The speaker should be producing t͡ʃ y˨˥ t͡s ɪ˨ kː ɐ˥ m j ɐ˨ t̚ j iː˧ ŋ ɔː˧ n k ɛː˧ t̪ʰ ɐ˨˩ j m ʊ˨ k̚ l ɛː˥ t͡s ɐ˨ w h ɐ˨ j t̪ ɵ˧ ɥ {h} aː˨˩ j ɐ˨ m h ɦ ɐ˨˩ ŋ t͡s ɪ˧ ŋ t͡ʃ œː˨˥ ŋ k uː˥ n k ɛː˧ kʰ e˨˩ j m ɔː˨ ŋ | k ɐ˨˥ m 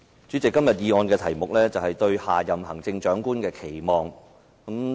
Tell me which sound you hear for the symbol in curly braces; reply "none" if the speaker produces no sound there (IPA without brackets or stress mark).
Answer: h